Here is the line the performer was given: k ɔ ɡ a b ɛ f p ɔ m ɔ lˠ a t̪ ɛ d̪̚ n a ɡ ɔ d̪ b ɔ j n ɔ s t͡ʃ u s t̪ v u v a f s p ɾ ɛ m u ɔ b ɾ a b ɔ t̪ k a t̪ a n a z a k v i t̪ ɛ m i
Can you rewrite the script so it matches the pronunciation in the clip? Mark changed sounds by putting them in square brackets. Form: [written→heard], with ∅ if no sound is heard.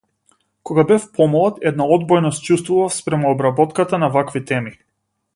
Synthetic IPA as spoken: k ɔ ɡ a b ɛ f p ɔ m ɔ lˠ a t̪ ɛ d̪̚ n a [ɡ→∅] ɔ d̪ b ɔ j n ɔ s t͡ʃ u s t̪ v u v a f s p ɾ ɛ m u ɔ b ɾ a b ɔ t̪ k a t̪ a n a [z→v] a k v i t̪ ɛ m i